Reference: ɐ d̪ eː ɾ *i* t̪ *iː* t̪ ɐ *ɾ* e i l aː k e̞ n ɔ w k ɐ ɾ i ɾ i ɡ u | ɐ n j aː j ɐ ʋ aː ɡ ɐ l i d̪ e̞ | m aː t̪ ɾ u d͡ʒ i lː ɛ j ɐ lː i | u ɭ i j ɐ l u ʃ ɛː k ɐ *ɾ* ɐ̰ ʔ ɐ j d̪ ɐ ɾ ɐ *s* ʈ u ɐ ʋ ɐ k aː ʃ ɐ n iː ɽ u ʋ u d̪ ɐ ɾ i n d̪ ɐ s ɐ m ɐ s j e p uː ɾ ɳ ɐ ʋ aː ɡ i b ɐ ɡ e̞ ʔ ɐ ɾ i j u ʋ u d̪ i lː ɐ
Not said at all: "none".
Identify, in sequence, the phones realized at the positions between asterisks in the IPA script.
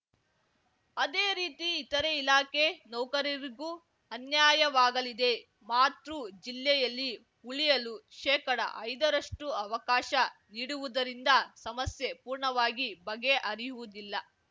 iː, iː, ɾ, ɽ, ʂ

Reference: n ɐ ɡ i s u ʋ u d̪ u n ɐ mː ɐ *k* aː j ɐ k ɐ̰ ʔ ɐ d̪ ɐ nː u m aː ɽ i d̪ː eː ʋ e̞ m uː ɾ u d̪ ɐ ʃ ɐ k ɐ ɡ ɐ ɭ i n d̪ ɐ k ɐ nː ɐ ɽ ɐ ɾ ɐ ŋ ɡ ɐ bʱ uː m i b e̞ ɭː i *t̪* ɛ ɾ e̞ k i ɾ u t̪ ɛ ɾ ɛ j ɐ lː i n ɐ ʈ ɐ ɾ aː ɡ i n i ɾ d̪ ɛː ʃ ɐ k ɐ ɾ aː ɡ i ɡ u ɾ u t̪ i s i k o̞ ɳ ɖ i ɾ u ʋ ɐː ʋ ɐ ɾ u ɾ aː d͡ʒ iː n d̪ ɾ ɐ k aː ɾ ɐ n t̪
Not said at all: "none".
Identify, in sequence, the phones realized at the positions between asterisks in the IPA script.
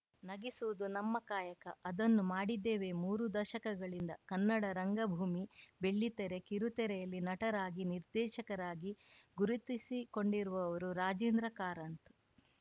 k, t̪

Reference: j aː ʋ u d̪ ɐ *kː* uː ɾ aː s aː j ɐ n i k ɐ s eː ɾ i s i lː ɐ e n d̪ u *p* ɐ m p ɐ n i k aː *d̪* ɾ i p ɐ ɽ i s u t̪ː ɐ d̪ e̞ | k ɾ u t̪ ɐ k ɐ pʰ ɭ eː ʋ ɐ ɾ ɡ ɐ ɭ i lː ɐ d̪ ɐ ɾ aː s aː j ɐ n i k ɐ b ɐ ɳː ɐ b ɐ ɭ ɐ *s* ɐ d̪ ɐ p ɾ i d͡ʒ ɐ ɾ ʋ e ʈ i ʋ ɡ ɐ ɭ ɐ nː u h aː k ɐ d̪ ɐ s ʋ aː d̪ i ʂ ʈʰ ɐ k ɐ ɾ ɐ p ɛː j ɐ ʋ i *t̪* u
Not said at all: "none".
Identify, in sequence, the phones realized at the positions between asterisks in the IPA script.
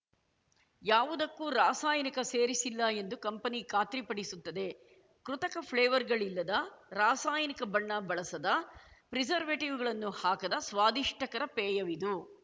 kː, k, t̪, s, d̪

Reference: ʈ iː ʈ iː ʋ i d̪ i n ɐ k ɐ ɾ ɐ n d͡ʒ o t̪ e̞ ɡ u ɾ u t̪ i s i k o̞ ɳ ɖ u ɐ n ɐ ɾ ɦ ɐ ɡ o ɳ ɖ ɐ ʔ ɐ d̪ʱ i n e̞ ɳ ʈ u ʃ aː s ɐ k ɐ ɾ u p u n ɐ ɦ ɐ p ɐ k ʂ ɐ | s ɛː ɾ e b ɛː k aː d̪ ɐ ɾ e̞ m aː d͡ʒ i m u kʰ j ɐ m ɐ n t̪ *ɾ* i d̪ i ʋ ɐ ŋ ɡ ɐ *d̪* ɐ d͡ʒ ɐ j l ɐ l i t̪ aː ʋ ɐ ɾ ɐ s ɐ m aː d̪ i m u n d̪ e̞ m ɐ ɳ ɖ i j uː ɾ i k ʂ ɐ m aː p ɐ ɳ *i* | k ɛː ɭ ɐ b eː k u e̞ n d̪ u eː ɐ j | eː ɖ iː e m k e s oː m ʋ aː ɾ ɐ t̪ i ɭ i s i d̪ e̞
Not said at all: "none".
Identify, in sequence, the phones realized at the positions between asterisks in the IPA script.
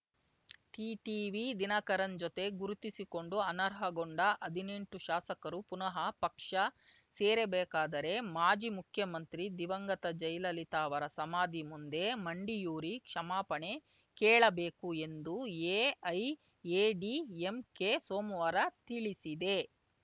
ɾ, t̪, e

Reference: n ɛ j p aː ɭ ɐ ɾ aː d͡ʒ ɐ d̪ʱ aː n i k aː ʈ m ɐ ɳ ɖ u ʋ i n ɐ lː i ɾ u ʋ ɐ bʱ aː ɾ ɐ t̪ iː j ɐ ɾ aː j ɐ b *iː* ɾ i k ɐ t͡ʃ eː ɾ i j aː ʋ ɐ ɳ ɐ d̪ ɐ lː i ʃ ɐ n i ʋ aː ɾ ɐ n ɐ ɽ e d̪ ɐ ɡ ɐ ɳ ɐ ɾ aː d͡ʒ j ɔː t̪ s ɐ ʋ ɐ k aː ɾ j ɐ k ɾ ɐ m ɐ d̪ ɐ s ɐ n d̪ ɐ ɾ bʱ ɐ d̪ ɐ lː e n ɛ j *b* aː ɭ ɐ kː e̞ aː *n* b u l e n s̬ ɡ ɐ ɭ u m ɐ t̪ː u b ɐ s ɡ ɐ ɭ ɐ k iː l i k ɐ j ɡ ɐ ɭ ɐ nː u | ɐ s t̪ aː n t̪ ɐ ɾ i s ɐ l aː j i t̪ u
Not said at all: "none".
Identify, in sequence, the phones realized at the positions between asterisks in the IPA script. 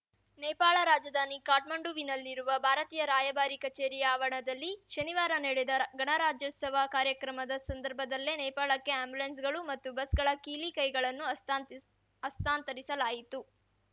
aː, p, m

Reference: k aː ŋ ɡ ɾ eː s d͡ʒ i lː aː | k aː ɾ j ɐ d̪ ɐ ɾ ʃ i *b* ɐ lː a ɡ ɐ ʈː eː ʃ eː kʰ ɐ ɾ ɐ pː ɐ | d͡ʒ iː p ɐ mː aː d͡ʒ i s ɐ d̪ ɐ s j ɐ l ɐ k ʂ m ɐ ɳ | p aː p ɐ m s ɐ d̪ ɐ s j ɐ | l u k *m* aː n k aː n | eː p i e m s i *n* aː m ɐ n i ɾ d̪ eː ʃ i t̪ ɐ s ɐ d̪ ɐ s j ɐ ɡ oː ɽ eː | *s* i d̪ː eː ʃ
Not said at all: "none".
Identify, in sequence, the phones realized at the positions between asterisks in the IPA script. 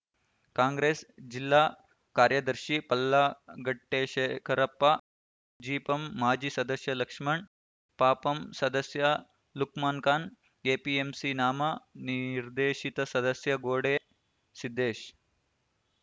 p, m, n, s

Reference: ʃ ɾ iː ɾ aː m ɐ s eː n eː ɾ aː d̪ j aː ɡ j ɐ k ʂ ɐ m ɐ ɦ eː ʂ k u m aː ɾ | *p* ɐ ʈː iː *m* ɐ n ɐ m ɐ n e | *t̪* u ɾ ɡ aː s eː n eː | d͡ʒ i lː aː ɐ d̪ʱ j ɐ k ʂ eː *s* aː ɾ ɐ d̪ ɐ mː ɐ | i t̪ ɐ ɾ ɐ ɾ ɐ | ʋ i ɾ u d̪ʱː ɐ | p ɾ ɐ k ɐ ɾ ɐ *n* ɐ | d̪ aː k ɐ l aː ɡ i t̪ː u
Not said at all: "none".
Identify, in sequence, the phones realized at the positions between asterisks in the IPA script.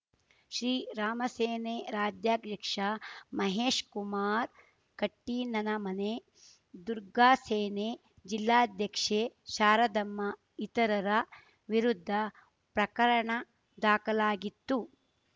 k, n, d̪, ʃ, ɳ

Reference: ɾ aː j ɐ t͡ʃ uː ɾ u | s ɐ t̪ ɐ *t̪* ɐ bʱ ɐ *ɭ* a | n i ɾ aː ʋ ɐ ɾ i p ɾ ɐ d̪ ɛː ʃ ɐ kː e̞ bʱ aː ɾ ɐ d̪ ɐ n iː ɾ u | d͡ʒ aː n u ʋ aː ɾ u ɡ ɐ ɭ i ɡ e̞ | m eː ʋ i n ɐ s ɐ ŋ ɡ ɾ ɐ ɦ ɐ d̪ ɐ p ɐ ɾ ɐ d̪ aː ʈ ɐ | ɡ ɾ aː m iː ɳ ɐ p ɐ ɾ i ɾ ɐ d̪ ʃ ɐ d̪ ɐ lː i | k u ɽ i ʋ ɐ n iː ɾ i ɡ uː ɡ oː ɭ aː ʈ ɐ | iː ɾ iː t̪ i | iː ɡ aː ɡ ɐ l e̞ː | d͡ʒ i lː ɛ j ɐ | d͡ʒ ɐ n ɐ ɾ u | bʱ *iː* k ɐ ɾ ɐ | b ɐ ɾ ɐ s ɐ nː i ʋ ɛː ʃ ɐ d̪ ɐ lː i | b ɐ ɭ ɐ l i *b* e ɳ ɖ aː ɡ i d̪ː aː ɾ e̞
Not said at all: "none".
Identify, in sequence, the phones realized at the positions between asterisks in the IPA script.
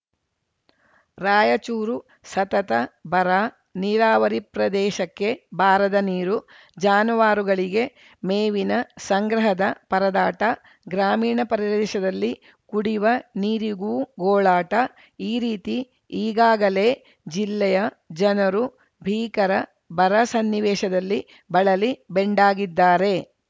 t̪, ɾ, iː, b

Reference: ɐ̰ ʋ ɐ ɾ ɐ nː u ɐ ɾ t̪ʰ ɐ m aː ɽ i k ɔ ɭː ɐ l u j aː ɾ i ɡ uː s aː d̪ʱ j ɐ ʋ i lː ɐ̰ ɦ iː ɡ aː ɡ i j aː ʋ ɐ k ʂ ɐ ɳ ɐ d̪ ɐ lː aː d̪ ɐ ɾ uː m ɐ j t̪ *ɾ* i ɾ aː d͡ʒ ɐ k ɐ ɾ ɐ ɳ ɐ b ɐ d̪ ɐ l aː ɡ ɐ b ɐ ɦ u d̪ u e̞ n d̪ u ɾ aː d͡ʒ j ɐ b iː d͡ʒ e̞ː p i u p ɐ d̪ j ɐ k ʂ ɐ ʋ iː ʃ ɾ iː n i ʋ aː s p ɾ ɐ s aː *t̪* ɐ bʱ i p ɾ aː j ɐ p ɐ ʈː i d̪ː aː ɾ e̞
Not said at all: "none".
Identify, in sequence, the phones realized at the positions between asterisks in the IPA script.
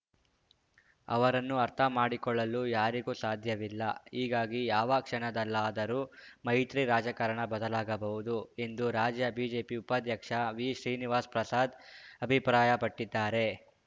ɾ, d̪

